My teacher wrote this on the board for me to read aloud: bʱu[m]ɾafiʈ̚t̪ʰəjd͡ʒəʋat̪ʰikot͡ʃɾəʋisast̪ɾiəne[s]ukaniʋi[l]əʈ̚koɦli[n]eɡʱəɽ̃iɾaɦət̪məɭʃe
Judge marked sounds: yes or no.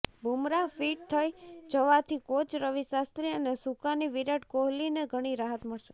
yes, yes, no, yes

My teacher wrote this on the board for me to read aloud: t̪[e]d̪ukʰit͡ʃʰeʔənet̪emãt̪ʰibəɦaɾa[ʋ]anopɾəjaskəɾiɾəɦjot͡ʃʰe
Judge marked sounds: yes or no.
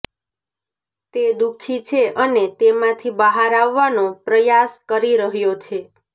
yes, no

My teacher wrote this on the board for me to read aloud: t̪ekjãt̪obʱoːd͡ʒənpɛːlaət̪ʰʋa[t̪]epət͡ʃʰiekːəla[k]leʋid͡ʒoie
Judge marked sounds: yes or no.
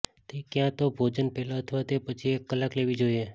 yes, yes

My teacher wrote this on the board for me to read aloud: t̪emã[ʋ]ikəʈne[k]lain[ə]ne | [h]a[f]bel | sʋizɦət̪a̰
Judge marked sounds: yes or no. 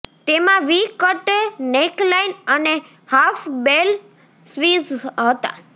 yes, yes, yes, yes, yes

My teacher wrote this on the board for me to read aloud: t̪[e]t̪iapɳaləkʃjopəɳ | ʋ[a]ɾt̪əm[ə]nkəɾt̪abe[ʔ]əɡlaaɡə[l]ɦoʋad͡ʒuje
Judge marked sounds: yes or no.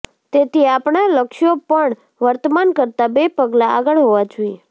yes, no, no, no, no

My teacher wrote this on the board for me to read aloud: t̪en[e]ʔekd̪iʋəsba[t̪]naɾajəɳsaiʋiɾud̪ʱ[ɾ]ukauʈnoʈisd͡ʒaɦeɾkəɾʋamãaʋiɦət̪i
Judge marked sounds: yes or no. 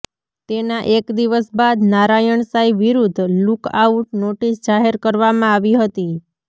no, no, no

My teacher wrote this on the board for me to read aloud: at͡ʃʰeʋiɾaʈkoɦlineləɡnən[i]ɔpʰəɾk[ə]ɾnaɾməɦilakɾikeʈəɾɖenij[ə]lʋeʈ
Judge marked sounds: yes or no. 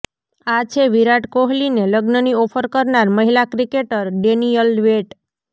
yes, yes, yes

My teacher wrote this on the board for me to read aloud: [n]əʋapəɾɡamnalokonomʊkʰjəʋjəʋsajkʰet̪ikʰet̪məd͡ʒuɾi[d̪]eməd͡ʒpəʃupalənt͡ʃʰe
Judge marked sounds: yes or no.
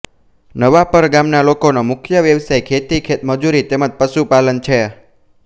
yes, no

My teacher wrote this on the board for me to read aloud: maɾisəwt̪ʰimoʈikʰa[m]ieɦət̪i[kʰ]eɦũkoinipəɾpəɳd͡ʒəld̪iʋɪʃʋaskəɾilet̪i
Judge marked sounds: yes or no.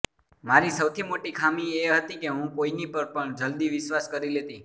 yes, no

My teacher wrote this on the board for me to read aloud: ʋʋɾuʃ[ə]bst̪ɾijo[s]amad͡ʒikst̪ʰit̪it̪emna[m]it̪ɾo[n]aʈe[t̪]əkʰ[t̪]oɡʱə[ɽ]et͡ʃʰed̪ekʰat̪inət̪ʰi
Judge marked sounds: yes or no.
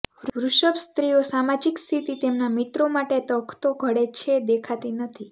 yes, yes, yes, no, yes, yes, yes

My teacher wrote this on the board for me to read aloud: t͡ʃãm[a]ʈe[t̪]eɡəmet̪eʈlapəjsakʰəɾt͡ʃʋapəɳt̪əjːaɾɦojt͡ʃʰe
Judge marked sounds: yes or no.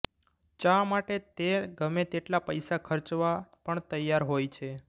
yes, yes

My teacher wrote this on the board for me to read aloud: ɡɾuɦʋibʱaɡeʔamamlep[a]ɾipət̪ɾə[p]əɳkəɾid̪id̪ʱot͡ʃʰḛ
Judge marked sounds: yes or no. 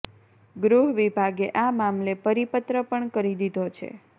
no, yes

